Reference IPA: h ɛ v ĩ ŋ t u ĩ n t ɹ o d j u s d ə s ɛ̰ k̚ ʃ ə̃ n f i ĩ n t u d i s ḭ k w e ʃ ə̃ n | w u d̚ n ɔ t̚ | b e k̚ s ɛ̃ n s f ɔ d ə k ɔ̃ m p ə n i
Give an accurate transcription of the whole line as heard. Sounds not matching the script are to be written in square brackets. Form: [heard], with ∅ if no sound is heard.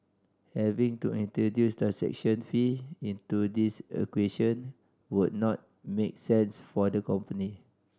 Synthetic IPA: h ɛ v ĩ ŋ t u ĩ n t ɹ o d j u s d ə s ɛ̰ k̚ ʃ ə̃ n f i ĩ n t u d i s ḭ k w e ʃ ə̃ n | w u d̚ n ɔ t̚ | [m] e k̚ s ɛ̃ n s f ɔ d ə k ɔ̃ m p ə n i